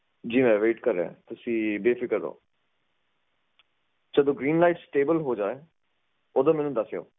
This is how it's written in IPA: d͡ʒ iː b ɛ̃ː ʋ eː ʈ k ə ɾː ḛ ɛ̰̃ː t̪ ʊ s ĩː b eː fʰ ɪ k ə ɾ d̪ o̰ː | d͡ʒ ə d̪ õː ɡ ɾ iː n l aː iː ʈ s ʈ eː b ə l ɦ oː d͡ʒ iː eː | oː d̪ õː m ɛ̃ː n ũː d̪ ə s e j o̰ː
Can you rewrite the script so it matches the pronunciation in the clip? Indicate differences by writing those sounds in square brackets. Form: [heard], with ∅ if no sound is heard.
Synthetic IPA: d͡ʒ iː [m] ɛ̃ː ʋ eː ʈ k ə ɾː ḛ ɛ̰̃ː t̪ ʊ s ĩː b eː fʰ ɪ k ə ɾ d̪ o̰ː | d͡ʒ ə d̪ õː ɡ ɾ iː n l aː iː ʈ s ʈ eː b ə l ɦ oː d͡ʒ [aː] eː | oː d̪ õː m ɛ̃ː n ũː d̪ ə s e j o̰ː